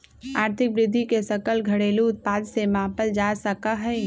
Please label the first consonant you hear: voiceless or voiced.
voiced